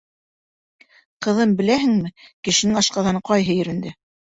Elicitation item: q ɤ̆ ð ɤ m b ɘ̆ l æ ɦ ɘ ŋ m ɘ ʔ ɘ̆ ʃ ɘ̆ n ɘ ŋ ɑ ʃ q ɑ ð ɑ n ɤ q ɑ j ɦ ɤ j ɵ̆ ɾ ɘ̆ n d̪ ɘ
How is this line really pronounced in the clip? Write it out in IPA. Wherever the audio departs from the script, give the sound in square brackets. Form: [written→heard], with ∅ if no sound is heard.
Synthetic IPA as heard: q ɤ̆ ð ɤ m b ɘ̆ l æ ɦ ɘ ŋ m ɘ [ʔ→k] ɘ̆ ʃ ɘ̆ n ɘ ŋ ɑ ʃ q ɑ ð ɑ n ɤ q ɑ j ɦ ɤ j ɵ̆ ɾ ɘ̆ n d̪ ɘ